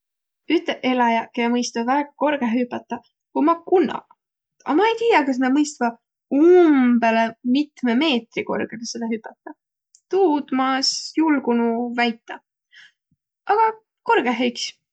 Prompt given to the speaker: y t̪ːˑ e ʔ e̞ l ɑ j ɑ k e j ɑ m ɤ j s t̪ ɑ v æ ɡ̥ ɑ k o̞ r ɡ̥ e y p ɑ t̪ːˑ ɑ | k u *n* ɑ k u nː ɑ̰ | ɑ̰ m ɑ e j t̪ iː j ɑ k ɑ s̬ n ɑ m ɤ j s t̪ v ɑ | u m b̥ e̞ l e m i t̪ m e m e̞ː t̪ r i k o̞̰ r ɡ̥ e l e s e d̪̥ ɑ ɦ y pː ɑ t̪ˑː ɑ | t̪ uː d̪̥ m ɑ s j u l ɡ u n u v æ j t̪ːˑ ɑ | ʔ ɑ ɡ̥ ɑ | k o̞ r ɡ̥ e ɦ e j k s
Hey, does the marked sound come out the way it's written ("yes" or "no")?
no